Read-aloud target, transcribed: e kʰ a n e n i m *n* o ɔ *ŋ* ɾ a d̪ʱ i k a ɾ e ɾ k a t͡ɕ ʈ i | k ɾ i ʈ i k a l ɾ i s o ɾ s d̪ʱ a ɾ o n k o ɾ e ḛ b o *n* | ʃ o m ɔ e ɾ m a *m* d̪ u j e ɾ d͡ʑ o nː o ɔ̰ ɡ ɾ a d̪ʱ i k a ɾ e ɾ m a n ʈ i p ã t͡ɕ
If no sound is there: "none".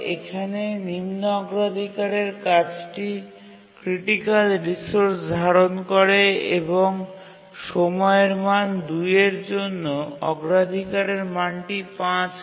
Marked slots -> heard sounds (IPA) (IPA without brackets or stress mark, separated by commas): n, ɡ, ŋ, n